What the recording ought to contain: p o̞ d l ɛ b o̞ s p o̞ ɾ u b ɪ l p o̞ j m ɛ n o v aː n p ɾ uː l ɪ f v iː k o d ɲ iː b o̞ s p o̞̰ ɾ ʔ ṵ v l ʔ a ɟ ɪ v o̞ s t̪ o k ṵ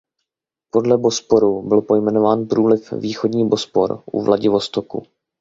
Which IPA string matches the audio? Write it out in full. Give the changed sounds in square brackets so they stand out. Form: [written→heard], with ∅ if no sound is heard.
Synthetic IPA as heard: p o̞ d l ɛ b o̞ s p o̞ ɾ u b ɪ l p o̞ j m ɛ n o v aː n p ɾ uː l ɪ f v iː [k→x] o d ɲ iː b o̞ s p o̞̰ ɾ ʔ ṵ v l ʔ a ɟ ɪ v o̞ s t̪ o k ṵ